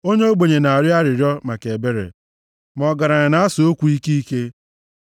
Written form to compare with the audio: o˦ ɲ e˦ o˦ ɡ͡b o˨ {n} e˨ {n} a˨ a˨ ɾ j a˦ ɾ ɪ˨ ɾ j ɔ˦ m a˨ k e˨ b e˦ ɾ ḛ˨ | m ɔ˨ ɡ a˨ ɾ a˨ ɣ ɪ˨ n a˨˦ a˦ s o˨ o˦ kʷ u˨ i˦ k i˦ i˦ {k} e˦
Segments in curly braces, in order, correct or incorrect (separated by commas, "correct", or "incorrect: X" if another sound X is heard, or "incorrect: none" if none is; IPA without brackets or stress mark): incorrect: ɲ, correct, correct